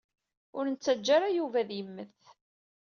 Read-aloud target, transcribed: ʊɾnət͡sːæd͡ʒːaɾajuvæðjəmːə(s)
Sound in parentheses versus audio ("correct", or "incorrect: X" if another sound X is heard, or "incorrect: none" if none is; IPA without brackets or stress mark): incorrect: θ